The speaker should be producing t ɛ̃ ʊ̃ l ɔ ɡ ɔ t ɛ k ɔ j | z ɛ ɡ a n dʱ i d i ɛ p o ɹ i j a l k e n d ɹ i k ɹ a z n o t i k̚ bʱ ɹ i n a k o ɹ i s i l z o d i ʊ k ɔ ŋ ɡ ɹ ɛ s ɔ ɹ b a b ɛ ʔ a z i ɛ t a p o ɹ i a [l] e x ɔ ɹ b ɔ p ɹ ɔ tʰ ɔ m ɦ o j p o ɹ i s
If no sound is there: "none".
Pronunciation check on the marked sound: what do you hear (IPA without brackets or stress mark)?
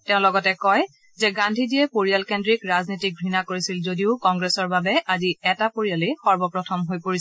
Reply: l